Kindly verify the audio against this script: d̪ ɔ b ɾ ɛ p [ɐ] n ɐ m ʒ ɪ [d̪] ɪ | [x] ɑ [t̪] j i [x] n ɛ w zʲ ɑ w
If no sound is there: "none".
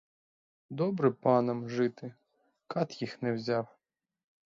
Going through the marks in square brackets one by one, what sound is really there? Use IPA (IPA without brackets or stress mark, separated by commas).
ɑ, t̪, k, t̪, x